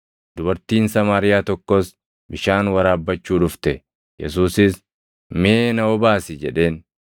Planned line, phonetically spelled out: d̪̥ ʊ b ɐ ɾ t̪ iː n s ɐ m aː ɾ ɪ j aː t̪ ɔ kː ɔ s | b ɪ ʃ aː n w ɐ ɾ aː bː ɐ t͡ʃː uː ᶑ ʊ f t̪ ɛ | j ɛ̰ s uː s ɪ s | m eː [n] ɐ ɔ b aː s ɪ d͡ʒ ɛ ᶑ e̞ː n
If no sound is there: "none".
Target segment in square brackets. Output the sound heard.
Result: n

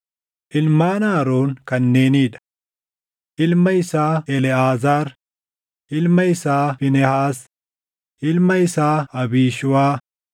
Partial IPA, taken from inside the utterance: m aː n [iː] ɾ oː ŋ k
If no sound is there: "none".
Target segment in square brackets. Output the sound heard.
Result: aː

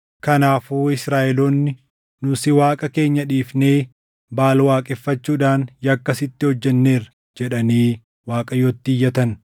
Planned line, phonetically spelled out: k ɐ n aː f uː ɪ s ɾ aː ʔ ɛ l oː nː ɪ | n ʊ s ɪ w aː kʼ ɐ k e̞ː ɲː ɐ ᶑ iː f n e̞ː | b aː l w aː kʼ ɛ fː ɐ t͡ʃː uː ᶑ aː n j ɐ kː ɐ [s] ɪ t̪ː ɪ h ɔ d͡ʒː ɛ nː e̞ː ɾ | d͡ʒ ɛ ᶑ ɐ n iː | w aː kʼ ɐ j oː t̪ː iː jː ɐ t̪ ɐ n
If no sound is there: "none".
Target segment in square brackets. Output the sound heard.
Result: s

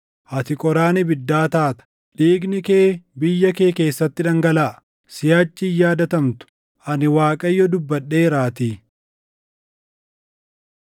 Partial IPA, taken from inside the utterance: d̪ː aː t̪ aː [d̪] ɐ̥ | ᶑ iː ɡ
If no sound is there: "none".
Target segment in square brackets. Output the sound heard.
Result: t̪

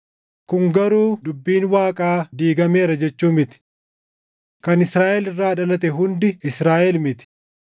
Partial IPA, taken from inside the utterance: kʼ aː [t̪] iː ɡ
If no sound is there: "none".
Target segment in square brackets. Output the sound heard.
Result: d̪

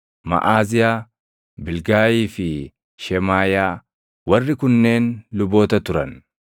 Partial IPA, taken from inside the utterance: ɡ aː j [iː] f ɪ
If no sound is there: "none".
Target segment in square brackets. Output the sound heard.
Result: iː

